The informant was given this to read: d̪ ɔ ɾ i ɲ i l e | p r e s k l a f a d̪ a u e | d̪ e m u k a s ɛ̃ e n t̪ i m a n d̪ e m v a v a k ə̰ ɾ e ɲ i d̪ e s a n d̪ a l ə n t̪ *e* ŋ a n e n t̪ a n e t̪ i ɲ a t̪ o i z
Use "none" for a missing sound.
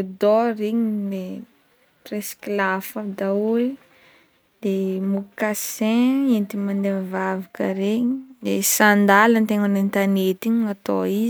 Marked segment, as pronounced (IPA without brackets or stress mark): e